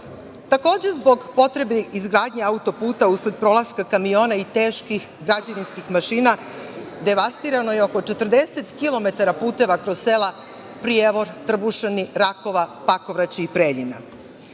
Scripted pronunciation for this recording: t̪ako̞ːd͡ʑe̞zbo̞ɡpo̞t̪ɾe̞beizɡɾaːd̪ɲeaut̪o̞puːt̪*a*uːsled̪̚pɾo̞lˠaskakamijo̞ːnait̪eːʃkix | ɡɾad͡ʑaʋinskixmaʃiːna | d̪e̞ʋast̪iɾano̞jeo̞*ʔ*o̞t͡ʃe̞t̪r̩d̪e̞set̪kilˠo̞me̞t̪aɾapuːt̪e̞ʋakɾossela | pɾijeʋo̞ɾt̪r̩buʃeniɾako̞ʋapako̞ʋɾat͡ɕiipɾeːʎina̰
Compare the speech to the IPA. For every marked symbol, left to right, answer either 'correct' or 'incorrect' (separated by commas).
correct, incorrect